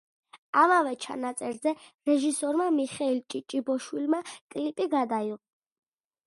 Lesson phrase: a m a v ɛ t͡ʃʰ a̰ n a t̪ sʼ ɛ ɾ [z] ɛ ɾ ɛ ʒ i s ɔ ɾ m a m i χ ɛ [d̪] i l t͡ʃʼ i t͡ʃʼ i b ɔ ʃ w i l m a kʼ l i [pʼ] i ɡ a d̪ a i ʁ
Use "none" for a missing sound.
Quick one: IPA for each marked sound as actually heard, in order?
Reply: z, none, pʼ

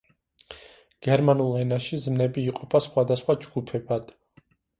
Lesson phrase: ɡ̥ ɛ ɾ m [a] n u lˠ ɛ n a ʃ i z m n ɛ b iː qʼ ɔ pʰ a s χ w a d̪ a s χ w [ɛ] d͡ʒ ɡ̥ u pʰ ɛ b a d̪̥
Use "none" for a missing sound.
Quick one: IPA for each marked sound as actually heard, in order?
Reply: a, a

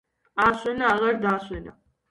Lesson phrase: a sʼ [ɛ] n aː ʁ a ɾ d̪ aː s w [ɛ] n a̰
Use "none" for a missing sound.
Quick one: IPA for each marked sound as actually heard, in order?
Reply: ɛ, ɛ

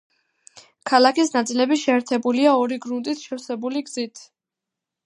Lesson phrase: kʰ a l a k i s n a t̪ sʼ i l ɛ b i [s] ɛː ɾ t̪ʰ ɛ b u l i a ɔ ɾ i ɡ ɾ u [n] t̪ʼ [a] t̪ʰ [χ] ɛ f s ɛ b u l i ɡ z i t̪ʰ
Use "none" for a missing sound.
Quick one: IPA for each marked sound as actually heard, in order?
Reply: ʃ, n, i, ʃ

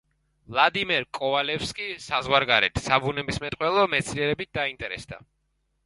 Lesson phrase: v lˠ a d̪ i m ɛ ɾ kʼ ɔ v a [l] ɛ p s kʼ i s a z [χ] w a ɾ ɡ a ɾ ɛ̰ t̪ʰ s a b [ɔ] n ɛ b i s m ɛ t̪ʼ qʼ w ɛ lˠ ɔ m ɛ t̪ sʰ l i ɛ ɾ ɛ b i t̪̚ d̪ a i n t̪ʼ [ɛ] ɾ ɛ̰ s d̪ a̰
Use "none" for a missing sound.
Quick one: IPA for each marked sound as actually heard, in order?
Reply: l, ʁ, u, ɛ

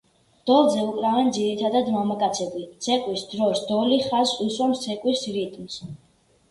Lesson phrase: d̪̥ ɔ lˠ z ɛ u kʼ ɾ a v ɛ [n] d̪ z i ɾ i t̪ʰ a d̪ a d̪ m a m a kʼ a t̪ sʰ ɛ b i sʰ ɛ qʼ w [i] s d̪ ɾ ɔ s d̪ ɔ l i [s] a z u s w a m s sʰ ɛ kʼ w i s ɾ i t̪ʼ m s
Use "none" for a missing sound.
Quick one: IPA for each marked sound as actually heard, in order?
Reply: n, i, χ

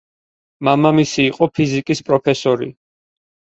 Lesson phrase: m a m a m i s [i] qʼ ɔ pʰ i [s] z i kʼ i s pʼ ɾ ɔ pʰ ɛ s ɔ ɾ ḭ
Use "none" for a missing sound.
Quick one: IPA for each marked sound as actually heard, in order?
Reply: iː, none

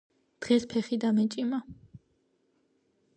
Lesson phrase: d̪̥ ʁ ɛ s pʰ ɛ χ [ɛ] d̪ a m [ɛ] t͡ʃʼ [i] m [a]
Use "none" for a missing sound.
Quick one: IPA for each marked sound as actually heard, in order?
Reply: i, ɛ, i, a

